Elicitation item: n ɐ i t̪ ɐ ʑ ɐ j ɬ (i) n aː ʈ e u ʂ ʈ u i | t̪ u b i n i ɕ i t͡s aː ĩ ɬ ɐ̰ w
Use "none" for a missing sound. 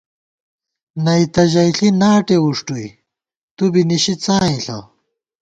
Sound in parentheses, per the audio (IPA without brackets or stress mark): i